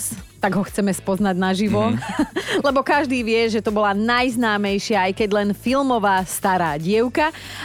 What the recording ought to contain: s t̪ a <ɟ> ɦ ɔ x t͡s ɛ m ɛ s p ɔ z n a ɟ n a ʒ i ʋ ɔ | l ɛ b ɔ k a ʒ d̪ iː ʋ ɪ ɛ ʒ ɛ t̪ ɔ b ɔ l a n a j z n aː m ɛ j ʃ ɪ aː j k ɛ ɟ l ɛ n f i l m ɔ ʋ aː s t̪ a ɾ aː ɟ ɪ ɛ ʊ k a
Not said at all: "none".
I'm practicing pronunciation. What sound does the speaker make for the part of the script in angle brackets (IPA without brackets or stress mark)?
ɡ